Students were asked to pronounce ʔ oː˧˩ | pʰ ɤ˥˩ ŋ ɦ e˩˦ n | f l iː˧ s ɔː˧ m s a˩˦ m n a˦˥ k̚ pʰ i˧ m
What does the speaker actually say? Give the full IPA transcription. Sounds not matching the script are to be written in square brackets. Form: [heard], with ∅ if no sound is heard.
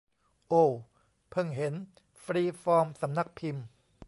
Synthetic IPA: ʔ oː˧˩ | pʰ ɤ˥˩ ŋ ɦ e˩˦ n | f [ɾ] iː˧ [f] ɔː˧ m s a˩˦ m n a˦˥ k̚ pʰ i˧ m

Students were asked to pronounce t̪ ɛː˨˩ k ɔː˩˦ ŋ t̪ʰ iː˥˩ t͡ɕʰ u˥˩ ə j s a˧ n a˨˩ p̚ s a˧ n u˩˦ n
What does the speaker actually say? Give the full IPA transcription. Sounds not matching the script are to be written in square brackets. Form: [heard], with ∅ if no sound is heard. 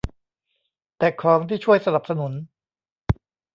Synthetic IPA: t̪ ɛː˨˩ [kʰ] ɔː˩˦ ŋ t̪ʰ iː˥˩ t͡ɕʰ u˥˩ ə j s a˧ n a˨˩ p̚ s a˧ n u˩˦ n

